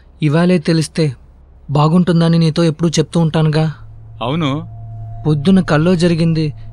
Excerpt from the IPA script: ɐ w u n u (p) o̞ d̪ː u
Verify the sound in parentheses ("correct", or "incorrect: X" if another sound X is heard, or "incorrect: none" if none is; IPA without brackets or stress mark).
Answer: correct